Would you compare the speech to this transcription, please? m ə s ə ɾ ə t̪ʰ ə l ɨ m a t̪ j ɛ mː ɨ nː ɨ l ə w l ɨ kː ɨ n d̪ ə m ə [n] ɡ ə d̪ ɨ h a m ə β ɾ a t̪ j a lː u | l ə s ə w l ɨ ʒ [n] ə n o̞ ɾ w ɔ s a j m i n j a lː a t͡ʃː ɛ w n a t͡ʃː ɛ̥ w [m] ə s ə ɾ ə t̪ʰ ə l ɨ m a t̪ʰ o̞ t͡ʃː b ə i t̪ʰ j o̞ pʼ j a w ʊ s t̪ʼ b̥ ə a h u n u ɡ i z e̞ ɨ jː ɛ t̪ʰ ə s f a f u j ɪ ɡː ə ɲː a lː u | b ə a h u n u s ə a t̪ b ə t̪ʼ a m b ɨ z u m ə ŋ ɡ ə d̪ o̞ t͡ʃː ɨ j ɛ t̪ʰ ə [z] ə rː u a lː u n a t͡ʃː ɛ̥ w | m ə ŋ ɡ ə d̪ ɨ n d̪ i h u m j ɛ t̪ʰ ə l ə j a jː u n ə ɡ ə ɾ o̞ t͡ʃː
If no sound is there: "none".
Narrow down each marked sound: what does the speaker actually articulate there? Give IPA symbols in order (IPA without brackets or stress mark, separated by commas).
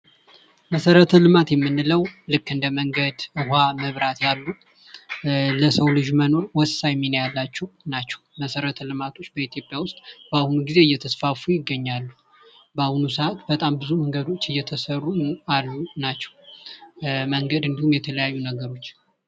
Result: ŋ, m, m, s